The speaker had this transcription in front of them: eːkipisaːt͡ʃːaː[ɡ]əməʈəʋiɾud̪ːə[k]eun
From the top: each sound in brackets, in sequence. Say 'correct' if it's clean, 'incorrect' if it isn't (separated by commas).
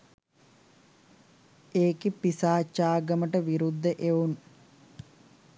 correct, incorrect